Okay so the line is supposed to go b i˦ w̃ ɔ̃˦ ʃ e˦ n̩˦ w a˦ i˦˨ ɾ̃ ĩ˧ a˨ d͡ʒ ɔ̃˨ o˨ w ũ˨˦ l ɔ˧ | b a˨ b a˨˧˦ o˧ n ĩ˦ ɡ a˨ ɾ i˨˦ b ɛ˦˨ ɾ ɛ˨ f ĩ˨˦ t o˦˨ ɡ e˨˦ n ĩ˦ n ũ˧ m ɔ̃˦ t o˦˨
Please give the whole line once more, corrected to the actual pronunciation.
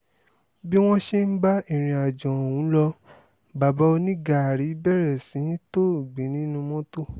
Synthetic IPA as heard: b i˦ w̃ ɔ̃˦ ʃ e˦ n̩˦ b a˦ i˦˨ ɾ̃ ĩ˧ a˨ d͡ʒ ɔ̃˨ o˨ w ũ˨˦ l ɔ˧ | b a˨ b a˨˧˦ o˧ n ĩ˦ ɡ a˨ ɾ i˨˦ b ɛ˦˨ ɾ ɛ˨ s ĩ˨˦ t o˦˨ ɡ͡b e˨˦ n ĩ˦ n ũ˧ m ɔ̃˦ t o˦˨